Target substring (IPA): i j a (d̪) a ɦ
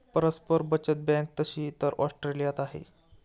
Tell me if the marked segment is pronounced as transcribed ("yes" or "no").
no